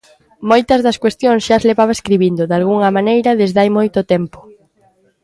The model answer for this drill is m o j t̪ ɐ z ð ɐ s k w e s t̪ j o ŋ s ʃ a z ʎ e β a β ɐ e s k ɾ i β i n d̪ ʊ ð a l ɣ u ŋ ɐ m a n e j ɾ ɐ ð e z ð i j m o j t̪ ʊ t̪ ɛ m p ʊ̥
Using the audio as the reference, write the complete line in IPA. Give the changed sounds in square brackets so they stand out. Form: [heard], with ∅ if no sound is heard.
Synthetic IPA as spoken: m o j t̪ ɐ z ð ɐ s k w e s t̪ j o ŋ s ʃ a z [l] e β a β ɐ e s k ɾ i β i n d̪ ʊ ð a l ɣ u ŋ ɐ m a n e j ɾ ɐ ð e z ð [a] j m o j t̪ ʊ t̪ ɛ m p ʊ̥